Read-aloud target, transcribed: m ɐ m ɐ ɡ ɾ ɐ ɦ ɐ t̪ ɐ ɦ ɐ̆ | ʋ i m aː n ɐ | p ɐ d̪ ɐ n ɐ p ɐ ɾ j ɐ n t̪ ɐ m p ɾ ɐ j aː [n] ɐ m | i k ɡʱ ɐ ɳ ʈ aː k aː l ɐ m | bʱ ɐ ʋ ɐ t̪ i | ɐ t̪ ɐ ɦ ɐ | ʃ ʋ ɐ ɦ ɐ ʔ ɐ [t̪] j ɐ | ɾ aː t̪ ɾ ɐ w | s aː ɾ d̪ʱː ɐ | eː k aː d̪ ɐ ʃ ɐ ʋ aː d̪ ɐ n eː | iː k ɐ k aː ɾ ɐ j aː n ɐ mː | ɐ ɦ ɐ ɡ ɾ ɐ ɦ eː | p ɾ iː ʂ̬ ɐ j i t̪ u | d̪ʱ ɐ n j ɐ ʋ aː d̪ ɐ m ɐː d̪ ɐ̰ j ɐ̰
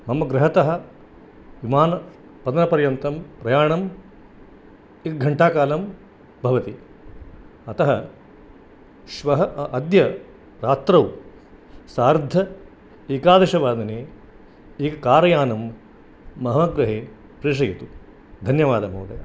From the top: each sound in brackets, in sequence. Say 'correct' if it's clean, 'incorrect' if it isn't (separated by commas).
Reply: incorrect, incorrect